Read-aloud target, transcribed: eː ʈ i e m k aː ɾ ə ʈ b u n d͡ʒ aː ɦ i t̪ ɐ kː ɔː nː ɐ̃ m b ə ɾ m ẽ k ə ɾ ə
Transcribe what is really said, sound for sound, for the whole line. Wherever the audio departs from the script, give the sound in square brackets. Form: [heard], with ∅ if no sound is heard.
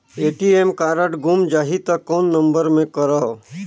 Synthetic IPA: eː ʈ i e m k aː ɾ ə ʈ [ɡ] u [m] d͡ʒ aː ɦ i t̪ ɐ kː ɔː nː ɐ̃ m b ə ɾ m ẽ k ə ɾ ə